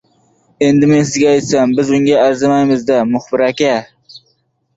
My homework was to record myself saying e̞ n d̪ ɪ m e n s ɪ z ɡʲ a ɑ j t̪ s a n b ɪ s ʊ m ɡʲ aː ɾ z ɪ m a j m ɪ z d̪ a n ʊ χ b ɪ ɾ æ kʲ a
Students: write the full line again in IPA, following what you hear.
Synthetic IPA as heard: e̞ n d̪ ɪ m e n s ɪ z ɡʲ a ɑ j t̪ s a m b ɪ z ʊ ŋ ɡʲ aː ɾ z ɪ m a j m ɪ z d̪ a m ʊ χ b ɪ ɾ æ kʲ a